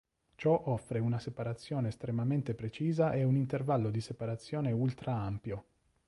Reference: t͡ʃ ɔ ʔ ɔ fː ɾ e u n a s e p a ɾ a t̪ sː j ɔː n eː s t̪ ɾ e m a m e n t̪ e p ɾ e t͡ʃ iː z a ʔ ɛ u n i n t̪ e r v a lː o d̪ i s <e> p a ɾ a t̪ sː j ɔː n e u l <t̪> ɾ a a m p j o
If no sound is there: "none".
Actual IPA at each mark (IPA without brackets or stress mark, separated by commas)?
e, t̪